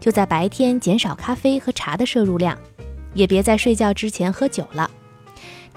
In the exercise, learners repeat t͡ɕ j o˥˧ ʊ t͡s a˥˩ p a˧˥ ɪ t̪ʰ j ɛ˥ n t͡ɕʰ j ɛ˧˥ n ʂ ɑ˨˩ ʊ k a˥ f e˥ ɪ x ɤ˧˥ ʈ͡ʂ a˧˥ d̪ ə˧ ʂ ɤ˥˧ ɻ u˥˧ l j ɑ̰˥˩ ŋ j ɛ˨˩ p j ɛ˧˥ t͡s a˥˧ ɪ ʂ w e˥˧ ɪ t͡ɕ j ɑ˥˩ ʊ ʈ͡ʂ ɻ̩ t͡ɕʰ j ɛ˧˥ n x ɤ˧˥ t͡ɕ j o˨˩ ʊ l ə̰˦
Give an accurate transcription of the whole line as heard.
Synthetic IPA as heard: t͡ɕ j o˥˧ ʊ t͡s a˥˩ p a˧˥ ɪ t̪ʰ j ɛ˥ n t͡ɕ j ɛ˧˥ n ʂ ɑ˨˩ ʊ kʰ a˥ f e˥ ɪ x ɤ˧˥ ʈ͡ʂʰ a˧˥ d̪ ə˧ ʂ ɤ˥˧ ɻ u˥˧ l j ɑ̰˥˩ ŋ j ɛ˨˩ p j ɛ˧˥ t͡s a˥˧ ɪ ʂ w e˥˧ ɪ t͡ɕ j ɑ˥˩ ʊ ʈ͡ʂ ɻ̩ t͡ɕʰ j ɛ˧˥ n x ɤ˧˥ t͡ɕ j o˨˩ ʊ l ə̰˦